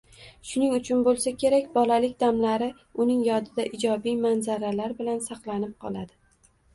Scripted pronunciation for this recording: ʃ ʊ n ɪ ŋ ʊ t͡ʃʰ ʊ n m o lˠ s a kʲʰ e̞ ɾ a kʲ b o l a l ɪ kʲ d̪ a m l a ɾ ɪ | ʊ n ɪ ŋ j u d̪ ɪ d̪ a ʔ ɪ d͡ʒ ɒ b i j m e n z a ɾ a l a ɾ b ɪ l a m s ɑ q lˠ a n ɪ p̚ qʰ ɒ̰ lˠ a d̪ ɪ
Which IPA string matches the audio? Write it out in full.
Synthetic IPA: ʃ ʊ n ɪ ŋ ʊ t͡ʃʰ ʊ n b o lˠ s a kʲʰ e̞ ɾ a kʲ b ɒ l a l ɪ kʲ d̪ a m l a ɾ ɪ | ʊ n ɪ ŋ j ɒ d̪ ɪ d̪ a ʔ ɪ d͡ʒ ɒ b i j m a n z a ɾ a l a ɾ b ɪ l a n s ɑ q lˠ a n ɪ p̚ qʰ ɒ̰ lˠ a d̪ ɪ